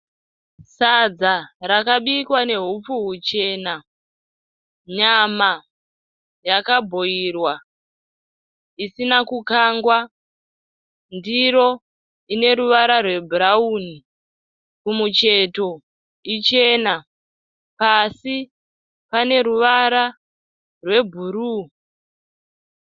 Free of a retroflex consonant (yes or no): yes